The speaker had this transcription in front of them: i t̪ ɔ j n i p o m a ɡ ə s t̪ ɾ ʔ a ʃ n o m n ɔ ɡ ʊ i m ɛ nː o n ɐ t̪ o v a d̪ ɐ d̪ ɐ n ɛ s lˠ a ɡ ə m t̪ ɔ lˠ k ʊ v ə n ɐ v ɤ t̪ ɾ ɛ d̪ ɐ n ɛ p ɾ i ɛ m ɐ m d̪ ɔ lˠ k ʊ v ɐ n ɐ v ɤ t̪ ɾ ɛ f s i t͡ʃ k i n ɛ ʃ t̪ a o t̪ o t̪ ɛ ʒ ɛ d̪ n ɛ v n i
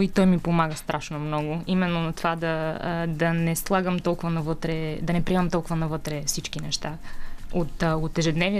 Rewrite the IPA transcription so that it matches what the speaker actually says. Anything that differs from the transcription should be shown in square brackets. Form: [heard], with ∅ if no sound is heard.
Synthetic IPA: i t̪ ɔ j [m] i p o m a ɡ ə s t̪ ɾ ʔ a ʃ n o m n ɔ ɡ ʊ i m ɛ nː o n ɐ t̪ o v a d̪ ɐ d̪ ɐ n ɛ s lˠ a ɡ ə m t̪ ɔ lˠ k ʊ v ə n ɐ v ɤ t̪ ɾ ɛ d̪ ɐ n ɛ p ɾ i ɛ m ɐ m [t̪] ɔ lˠ k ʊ v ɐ n ɐ v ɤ t̪ ɾ ɛ f s i t͡ʃ k i n ɛ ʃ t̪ a o t̪ o t̪ ɛ ʒ ɛ d̪ n ɛ v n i